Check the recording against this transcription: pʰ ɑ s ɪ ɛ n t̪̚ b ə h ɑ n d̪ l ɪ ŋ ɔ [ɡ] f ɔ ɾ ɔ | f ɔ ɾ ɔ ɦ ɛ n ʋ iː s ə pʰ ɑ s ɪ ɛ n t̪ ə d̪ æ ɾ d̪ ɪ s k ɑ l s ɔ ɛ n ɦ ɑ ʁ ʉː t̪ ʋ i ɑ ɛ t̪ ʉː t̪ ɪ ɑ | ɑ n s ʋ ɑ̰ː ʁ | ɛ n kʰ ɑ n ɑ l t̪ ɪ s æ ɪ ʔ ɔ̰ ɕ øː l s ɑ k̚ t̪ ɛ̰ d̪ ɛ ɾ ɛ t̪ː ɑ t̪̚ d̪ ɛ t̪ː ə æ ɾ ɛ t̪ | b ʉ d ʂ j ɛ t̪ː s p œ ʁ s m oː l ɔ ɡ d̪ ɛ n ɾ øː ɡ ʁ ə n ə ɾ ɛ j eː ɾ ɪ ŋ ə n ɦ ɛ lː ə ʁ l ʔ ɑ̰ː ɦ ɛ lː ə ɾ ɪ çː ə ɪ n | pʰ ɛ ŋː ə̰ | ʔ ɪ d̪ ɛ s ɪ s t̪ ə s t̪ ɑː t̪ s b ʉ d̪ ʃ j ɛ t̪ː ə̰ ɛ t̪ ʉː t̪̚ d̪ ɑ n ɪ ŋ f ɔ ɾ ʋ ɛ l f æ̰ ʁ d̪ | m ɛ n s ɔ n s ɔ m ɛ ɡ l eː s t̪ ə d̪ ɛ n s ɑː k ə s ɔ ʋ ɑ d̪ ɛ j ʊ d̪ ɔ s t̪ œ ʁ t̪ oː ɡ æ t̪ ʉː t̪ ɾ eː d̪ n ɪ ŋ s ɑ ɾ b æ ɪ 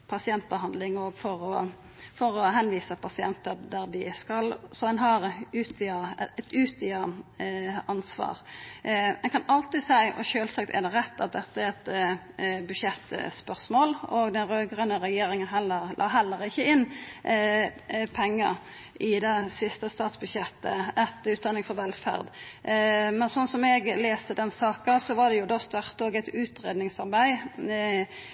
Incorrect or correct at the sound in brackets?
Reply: correct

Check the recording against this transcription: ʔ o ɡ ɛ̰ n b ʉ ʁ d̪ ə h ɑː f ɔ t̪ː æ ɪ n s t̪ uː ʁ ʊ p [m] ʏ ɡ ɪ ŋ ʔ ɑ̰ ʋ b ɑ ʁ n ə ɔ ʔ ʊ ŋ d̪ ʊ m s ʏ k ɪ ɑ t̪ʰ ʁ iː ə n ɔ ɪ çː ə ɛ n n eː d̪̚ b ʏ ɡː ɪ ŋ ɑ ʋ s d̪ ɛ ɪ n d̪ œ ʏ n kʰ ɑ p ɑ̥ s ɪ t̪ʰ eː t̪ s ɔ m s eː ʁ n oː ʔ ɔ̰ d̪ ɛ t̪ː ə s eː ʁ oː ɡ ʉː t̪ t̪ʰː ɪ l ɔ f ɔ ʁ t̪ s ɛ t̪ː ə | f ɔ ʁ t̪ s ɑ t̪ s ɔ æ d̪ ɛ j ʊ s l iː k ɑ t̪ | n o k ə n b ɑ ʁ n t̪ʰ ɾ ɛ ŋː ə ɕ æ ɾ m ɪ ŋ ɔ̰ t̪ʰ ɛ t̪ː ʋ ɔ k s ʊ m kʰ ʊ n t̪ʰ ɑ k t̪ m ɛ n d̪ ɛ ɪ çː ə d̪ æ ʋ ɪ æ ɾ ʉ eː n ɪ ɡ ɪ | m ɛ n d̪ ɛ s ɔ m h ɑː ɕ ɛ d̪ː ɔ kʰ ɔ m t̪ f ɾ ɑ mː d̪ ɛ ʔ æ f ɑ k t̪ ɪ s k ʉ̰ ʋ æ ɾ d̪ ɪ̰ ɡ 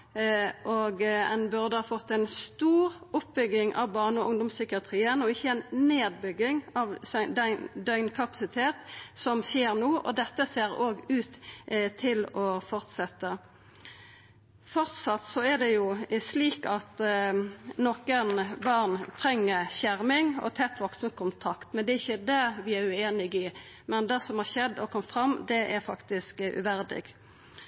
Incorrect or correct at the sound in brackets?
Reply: incorrect: b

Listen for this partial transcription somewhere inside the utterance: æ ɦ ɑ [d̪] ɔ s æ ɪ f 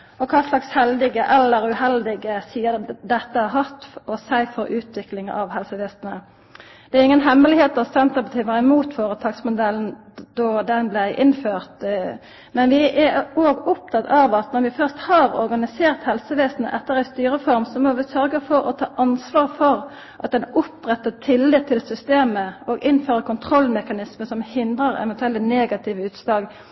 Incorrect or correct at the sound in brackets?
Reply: incorrect: t̪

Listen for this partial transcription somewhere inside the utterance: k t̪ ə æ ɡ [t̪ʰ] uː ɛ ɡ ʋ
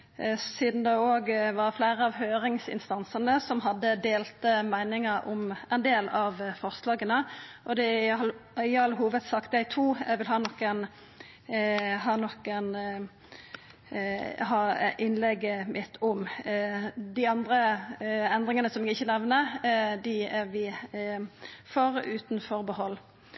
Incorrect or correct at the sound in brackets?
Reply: correct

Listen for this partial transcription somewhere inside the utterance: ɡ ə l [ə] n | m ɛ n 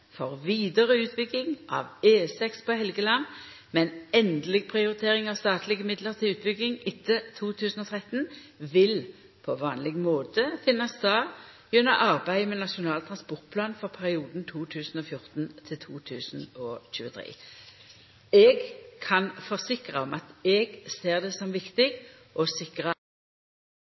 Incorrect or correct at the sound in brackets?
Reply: incorrect: ɑ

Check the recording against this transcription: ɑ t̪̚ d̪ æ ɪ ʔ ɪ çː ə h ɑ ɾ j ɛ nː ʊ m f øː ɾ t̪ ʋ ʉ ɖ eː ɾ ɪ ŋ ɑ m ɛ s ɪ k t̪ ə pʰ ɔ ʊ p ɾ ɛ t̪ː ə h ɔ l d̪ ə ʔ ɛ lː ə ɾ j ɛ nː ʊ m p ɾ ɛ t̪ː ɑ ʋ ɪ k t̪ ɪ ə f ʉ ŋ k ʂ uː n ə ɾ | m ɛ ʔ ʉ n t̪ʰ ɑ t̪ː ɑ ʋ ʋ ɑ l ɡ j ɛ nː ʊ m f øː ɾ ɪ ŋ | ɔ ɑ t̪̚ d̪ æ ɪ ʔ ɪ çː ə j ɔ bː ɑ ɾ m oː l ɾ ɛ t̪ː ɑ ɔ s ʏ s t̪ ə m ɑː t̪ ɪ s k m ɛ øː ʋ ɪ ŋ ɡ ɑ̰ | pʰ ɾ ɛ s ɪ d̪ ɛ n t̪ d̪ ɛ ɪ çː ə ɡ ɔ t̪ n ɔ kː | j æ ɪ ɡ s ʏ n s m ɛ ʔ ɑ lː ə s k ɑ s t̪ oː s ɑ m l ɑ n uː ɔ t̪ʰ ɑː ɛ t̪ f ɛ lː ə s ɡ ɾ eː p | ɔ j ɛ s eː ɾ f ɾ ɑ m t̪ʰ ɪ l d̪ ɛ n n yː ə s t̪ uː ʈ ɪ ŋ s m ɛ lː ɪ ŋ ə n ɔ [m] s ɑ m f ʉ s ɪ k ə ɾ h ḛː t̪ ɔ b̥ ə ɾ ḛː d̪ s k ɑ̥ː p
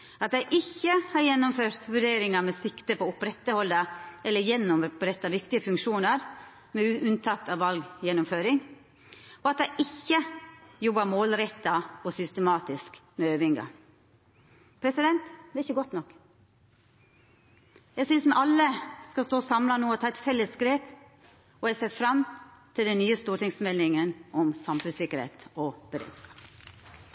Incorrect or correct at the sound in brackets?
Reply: correct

